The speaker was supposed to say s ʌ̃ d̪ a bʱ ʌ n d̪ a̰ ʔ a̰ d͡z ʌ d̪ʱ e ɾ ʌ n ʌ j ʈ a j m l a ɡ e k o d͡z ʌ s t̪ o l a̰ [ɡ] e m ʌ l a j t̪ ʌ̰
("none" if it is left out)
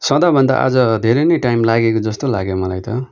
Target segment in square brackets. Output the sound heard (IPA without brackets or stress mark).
ɡ